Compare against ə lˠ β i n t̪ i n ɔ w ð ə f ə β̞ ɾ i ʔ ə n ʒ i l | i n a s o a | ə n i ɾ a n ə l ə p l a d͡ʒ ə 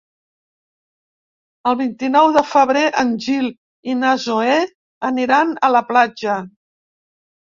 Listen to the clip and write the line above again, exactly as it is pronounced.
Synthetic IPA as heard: ə lˠ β i n t̪ i n ɔ w ð ə f ə β̞ ɾ e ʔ ə n ʒ i l | i n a z o e | ə n i ɾ a n ə l ə p l a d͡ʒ ə

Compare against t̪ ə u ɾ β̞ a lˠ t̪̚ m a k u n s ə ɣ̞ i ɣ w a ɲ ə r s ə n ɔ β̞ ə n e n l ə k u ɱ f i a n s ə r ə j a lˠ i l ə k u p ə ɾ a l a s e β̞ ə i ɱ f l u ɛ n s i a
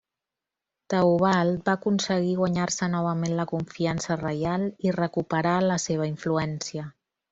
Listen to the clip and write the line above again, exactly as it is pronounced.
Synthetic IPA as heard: t̪ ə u β̞ a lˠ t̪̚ b a k u n s ə ɣ̞ i ɣ w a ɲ a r s ə n ɔ β̞ ə m e n l ə k u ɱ f i a n s ə r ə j a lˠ i r ə k u p ə ɾ a l ə s e β̞ ə i ɱ f l u ɛ n s i ə

